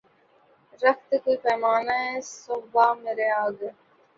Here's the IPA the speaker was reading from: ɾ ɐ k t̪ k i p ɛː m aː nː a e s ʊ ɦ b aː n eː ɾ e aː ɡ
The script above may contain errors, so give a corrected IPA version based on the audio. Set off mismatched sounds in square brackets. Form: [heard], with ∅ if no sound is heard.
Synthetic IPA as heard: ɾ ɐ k t̪ k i p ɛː m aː [n] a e s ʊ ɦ b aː [m] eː ɾ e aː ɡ